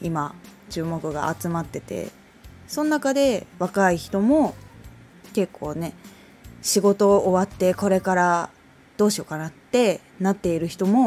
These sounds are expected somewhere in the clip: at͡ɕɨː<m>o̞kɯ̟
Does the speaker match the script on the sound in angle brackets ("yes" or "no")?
yes